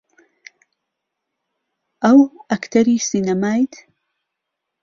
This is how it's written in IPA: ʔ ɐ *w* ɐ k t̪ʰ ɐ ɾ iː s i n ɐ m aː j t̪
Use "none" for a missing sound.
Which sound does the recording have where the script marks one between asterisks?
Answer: w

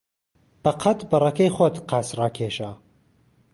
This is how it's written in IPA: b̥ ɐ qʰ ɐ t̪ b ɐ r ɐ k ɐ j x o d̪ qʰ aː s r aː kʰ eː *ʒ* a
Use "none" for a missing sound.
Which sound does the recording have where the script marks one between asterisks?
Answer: ʃ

